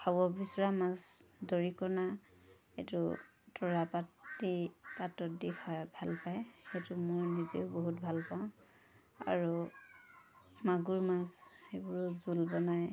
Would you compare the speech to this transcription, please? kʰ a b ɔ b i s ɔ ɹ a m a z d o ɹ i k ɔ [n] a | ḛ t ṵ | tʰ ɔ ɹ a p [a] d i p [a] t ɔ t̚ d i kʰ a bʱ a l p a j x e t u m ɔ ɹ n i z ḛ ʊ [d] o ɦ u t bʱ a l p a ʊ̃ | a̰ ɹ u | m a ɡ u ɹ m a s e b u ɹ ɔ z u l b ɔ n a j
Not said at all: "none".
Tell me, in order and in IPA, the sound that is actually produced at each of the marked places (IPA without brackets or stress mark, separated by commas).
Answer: n, a, a, b